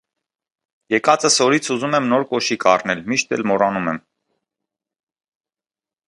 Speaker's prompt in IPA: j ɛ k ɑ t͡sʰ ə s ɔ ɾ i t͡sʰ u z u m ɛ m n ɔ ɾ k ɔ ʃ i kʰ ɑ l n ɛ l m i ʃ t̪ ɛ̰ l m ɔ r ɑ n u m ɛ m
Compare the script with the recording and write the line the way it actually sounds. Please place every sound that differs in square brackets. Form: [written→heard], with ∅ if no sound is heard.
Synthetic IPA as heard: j ɛ k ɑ [t͡sʰ→t͡s] ə s ɔ ɾ i t͡sʰ u z u m ɛ m n ɔ ɾ k ɔ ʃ i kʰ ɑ [l→r] n ɛ l m i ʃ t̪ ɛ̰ l m ɔ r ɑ n u m ɛ m

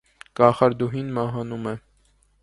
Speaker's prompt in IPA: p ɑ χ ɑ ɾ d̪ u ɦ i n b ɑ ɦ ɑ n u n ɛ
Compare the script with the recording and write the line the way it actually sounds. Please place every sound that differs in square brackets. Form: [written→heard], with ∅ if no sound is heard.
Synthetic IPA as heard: [p→k] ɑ χ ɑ ɾ d̪ u ɦ i n [b→m] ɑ ɦ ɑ n u [n→m] ɛ

